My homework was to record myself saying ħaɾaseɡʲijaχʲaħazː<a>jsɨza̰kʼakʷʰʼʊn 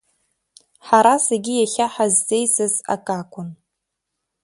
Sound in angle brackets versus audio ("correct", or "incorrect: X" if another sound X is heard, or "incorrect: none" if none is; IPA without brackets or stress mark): incorrect: e